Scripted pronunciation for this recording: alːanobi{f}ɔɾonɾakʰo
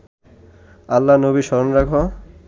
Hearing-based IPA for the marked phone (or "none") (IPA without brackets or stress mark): ʃ